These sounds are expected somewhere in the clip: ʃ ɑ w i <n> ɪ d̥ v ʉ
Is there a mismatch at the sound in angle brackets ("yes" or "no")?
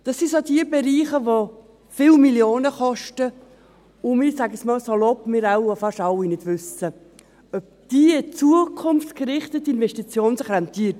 no